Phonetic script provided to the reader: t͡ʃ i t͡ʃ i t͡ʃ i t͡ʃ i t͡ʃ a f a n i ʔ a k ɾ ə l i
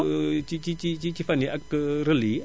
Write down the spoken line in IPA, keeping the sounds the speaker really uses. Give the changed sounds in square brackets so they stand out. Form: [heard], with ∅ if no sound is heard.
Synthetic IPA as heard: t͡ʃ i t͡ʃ i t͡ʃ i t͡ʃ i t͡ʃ [i] f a n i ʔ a k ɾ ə l i